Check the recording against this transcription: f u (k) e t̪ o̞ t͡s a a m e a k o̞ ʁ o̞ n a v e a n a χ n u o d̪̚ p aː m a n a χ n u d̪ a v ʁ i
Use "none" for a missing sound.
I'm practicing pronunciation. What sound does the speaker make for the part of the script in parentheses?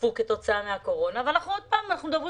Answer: k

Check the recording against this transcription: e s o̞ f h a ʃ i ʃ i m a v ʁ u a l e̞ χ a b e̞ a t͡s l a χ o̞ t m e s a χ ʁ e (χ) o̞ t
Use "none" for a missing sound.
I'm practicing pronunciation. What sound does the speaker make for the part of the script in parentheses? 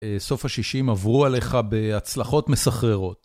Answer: ʁ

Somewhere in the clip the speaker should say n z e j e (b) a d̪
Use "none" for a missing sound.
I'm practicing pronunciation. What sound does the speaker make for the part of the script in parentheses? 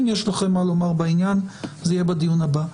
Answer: b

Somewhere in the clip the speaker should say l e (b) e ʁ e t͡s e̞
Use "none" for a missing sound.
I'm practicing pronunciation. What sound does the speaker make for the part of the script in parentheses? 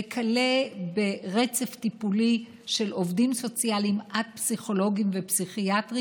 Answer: b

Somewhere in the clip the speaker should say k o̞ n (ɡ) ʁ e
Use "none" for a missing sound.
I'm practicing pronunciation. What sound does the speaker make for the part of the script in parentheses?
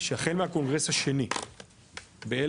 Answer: ɡ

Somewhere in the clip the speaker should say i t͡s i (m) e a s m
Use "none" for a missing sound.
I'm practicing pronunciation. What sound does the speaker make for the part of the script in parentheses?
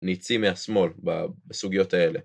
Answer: m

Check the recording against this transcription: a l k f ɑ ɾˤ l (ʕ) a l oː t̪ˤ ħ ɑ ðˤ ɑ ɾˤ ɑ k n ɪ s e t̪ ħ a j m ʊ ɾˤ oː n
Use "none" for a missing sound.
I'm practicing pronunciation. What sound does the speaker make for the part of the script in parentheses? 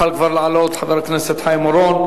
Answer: ʕ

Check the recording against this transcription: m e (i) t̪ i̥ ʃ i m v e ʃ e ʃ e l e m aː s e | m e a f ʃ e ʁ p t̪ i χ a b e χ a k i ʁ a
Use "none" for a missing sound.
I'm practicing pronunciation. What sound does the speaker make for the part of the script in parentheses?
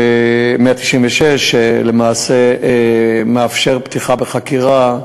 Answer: a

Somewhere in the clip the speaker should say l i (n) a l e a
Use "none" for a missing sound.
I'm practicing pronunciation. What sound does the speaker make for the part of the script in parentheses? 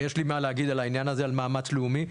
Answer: m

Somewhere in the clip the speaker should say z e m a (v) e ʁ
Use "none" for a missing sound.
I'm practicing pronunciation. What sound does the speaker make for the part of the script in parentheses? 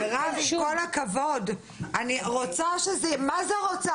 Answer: z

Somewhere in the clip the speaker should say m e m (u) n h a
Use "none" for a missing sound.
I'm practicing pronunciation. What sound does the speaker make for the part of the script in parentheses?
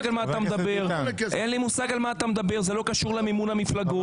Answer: u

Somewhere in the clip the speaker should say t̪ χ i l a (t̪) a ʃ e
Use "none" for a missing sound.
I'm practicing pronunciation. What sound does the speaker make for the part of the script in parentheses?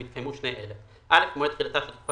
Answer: t̪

